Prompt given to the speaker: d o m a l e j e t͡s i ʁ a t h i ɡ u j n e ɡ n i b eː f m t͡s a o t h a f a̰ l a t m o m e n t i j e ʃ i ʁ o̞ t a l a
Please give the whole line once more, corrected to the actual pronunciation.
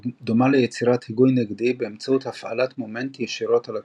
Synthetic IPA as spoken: d o m a l e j e t͡s i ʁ a t h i ɡ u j n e ɡ d i b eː m t͡s a u t h a f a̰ l a t m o m e n t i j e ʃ i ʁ o̞ t a l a